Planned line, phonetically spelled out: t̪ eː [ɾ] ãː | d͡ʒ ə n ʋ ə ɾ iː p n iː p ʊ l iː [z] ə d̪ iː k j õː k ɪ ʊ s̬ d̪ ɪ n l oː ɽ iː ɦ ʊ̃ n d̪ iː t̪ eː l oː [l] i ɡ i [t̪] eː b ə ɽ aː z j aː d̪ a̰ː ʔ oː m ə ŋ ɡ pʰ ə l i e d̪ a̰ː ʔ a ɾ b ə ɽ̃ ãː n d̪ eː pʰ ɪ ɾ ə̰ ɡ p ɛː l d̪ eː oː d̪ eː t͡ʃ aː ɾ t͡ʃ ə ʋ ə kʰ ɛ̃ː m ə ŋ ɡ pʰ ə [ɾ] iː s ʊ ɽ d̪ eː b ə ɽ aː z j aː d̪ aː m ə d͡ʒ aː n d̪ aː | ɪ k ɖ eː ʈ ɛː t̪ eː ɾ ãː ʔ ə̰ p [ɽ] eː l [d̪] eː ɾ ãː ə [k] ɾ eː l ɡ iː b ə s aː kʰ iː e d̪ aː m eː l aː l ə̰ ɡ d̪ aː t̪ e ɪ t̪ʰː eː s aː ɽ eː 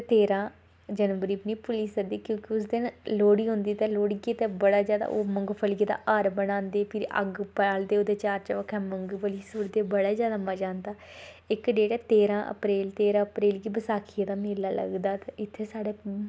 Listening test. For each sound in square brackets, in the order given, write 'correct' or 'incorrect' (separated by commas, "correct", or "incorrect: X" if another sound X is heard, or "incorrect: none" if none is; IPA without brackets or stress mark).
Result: correct, incorrect: s, incorrect: ɽ, correct, incorrect: l, incorrect: ɾ, incorrect: t̪, incorrect: p